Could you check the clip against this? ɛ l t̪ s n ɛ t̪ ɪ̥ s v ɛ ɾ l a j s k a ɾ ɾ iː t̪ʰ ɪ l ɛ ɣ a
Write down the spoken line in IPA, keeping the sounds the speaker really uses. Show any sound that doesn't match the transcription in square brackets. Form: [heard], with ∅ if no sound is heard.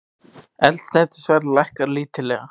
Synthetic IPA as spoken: ɛ l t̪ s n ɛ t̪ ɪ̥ s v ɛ ɾ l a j [h] k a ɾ [l] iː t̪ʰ ɪ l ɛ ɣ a